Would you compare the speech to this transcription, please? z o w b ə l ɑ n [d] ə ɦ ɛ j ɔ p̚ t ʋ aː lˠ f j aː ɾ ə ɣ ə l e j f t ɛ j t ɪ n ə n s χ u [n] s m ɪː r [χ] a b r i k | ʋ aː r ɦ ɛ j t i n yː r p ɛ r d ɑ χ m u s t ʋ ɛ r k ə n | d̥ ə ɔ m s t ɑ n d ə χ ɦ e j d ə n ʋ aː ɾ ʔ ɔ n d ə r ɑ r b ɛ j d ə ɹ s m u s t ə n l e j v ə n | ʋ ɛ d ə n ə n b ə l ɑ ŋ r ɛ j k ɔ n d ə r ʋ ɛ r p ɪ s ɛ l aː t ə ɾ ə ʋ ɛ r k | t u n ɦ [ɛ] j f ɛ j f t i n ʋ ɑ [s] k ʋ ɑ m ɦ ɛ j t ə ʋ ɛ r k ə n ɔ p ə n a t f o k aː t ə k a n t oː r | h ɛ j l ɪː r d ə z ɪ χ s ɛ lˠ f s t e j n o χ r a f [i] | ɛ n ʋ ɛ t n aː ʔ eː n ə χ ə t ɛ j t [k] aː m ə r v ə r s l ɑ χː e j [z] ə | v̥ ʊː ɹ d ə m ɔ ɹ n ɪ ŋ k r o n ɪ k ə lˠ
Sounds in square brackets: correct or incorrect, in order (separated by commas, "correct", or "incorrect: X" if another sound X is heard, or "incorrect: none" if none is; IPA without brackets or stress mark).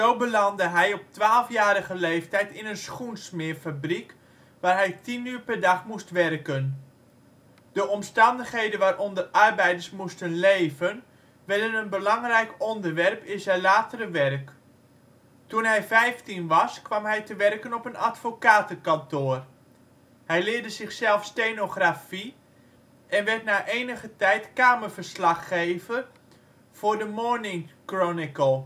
correct, correct, incorrect: f, correct, correct, correct, correct, incorrect: v